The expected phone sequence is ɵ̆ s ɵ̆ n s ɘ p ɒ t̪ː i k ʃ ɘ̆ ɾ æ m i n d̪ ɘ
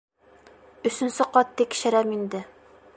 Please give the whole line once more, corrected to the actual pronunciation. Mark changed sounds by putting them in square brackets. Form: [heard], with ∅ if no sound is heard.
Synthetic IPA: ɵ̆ s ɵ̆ n s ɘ [q] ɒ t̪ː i k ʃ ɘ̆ ɾ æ m i n d̪ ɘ